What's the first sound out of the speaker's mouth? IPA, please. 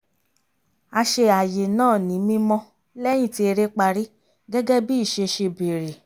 a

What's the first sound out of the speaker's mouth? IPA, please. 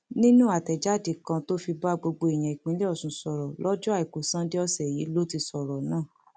n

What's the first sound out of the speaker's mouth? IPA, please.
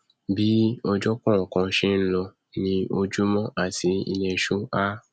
b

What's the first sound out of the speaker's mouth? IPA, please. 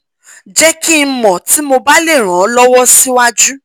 d͡ʒ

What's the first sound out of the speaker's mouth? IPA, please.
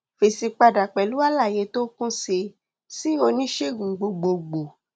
f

